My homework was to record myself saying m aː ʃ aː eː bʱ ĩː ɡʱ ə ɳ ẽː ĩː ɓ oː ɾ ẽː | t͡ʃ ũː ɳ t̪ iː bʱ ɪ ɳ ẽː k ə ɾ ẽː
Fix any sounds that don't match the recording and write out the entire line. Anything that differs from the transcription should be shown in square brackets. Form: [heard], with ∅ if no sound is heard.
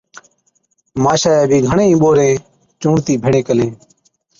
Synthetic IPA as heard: m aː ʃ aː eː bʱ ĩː ɡʱ ə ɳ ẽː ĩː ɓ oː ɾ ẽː | t͡ʃ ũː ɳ t̪ iː bʱ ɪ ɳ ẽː k ə [l] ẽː

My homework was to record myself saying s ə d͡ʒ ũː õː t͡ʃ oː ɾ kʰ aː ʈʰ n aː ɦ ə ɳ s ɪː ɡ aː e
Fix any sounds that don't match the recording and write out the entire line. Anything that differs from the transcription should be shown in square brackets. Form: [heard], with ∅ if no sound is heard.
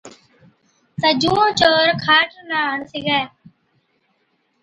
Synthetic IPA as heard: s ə d͡ʒ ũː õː t͡ʃ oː ɾ kʰ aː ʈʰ n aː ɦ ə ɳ s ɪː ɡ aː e

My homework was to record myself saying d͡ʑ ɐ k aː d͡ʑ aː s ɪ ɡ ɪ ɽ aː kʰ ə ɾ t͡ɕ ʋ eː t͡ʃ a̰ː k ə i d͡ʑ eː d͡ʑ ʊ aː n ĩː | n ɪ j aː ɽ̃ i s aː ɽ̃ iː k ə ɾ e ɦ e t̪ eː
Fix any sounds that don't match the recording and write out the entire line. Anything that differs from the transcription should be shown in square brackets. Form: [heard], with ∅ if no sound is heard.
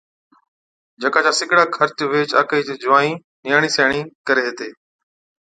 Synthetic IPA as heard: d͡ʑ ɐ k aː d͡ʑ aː s ɪ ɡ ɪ ɽ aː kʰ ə ɾ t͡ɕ ʋ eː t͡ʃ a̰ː k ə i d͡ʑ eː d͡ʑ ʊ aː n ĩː | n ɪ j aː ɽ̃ i s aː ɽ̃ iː k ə ɾ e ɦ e t̪ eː

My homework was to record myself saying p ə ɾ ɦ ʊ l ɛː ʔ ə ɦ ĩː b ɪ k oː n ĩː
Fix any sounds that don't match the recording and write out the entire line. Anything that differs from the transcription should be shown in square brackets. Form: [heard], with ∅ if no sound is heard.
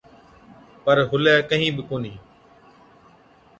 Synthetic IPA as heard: p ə ɾ ɦ ʊ l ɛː [k] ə ɦ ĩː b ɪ k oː n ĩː

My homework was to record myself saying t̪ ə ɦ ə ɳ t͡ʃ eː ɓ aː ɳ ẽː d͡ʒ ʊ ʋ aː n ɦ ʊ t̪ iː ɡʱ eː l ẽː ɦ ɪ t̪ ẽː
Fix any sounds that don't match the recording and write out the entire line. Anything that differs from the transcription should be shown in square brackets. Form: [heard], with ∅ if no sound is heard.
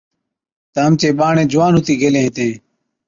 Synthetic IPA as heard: t̪ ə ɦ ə [m] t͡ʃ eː ɓ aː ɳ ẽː d͡ʒ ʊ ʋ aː n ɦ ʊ t̪ iː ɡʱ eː l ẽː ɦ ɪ t̪ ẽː

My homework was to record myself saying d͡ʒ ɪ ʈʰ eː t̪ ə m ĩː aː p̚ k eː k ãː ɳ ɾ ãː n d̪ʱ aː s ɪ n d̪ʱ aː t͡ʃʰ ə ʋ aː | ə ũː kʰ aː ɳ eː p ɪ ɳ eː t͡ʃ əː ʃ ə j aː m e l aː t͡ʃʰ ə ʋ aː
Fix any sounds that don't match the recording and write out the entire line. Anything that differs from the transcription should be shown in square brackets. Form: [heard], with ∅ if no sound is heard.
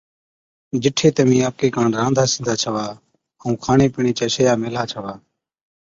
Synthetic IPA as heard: d͡ʒ ɪ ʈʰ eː t̪ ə m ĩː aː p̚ k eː k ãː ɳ ɾ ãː n d̪ʱ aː s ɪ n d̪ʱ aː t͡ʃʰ ə ʋ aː | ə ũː kʰ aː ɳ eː p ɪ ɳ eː t͡ʃ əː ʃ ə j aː m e l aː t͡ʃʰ ə ʋ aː

